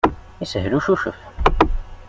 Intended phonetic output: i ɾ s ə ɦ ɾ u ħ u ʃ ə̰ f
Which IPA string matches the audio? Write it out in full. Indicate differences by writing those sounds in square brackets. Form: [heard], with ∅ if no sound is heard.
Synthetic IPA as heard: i [∅] s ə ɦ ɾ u [ʃ] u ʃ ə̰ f